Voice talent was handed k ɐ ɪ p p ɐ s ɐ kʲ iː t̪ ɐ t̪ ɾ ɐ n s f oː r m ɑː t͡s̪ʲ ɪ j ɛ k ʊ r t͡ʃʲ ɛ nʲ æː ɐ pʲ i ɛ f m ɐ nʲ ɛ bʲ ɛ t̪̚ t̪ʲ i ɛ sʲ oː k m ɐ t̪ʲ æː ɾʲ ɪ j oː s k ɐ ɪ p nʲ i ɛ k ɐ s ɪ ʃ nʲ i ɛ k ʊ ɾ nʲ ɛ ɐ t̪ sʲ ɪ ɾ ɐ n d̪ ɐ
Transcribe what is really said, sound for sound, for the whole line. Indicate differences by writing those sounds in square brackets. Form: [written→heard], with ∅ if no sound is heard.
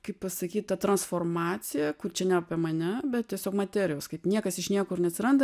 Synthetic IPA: k ɐ ɪ p p ɐ s ɐ kʲ iː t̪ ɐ t̪ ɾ ɐ n s f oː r m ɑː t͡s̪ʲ ɪ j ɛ k ʊ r t͡ʃʲ ɛ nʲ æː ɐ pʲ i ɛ [f→∅] m ɐ nʲ ɛ bʲ ɛ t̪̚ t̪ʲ i ɛ sʲ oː k m ɐ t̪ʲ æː ɾʲ ɪ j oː s k ɐ ɪ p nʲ i ɛ k ɐ s ɪ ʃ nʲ i ɛ k ʊ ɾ nʲ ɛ ɐ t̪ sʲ ɪ ɾ ɐ n d̪ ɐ